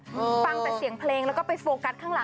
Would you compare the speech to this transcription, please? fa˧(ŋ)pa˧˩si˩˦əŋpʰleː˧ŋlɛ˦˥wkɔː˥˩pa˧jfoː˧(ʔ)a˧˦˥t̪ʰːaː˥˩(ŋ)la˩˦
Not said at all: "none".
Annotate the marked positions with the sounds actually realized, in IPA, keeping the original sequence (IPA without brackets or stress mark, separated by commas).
ŋ, k, ŋ